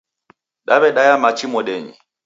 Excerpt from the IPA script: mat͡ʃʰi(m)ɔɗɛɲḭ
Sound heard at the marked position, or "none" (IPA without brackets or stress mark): m